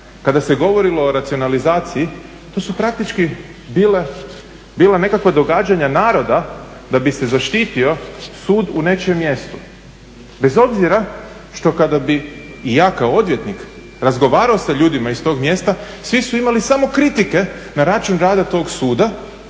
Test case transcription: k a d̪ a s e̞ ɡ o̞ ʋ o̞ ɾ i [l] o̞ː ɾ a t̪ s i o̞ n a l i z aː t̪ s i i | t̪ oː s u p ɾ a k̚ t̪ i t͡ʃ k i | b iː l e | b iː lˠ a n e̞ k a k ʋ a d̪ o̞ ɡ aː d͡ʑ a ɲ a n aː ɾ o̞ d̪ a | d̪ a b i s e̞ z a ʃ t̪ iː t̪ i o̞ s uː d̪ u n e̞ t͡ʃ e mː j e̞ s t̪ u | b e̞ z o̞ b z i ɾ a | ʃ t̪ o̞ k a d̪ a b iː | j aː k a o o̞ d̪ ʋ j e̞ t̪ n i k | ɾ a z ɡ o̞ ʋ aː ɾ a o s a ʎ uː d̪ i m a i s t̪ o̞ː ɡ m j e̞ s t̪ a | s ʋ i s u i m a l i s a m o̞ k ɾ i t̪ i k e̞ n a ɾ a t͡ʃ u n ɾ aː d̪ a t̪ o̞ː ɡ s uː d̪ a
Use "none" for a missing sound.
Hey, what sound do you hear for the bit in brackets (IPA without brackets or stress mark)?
l